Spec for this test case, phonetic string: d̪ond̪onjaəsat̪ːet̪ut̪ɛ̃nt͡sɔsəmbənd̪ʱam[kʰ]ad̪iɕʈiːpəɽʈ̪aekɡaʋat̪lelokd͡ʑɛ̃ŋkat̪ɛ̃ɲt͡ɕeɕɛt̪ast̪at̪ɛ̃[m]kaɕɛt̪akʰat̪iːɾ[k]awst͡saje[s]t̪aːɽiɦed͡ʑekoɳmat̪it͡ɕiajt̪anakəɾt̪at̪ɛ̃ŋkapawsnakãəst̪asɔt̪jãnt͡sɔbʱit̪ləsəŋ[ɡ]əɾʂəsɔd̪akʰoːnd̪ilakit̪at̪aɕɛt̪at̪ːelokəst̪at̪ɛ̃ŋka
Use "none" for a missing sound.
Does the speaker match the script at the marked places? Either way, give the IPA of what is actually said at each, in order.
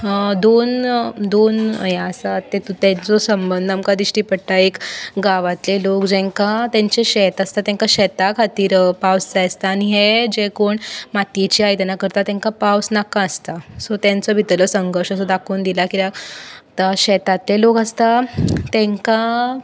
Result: k, ŋ, p, s, ɡ

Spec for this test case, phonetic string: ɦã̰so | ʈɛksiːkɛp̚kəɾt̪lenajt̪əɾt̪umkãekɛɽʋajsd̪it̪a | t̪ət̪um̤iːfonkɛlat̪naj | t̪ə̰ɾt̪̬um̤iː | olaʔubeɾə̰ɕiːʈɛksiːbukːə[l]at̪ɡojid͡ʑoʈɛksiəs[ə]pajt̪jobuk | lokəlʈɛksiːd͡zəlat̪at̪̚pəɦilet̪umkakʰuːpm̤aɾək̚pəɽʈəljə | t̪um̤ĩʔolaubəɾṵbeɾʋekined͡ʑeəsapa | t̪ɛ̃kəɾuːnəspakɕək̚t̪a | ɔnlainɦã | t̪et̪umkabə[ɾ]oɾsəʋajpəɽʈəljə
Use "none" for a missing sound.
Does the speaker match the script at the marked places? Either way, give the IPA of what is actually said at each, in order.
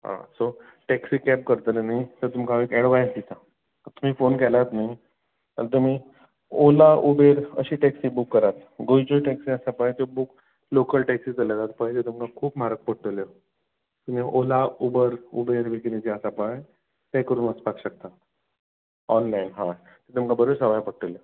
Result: ɾ, a, ɾ

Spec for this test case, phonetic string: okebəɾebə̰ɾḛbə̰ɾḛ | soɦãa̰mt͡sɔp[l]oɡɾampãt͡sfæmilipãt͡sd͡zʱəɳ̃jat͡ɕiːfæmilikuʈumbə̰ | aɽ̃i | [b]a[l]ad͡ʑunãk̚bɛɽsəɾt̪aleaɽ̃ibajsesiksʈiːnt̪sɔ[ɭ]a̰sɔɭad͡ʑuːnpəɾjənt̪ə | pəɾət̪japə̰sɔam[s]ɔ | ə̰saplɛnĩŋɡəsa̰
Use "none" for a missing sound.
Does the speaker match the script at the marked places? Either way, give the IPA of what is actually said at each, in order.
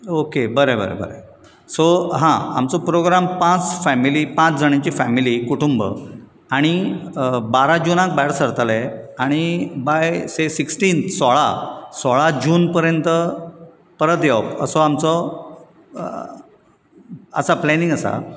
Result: ɾ, b, ɾ, ɭ, t͡s

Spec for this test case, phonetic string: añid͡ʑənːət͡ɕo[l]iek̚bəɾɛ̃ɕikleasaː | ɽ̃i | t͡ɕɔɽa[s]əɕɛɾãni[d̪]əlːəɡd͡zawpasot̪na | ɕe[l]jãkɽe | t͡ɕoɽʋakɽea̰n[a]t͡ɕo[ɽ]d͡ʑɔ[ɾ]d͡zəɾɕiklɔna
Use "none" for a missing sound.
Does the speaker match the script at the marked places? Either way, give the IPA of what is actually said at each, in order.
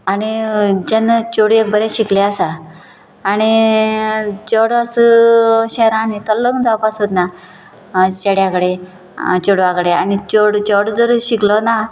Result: ɽ, s, t̪, ɽ, i, ɽ, ɽ

